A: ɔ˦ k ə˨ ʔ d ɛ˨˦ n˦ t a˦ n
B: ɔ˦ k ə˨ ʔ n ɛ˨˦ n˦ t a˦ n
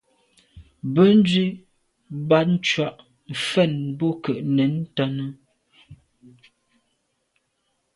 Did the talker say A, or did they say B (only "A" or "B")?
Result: B